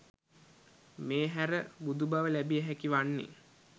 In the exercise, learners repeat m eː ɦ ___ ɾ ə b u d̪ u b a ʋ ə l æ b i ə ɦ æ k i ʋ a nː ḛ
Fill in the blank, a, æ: æ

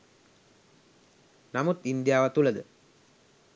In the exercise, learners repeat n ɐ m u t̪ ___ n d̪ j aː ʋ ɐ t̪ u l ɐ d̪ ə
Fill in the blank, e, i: i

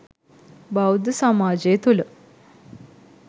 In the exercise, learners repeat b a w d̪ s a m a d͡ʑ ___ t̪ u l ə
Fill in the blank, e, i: e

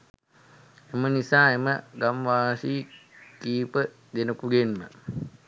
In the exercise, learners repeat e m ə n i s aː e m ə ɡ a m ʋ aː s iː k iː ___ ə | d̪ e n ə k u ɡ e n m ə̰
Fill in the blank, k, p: p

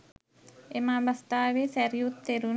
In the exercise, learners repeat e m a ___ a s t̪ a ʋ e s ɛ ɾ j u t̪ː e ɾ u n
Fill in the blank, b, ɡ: b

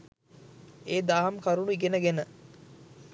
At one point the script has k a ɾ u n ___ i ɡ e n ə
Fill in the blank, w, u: u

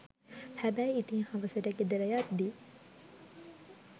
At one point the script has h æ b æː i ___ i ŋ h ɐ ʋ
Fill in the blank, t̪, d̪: t̪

